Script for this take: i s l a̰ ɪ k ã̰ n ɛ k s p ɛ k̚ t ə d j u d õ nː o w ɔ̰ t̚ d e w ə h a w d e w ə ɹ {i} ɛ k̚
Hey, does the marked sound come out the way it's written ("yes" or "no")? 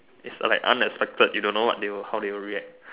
yes